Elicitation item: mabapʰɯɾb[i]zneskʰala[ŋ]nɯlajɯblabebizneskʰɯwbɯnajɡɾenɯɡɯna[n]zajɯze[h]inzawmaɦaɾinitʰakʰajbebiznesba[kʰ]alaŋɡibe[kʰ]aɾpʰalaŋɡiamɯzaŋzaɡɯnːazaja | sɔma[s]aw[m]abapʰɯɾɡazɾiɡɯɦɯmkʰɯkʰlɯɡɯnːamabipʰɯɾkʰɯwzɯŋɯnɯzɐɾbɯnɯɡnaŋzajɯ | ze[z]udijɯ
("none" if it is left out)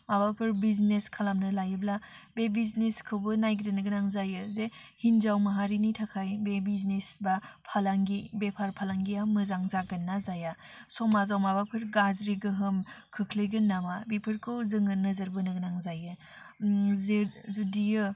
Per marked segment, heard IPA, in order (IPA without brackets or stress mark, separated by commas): i, m, ŋ, h, pʰ, pʰ, z, m, z